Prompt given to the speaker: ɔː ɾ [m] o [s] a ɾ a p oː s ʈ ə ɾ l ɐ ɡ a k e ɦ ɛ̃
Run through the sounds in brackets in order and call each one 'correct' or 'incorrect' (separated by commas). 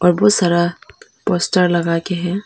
incorrect, correct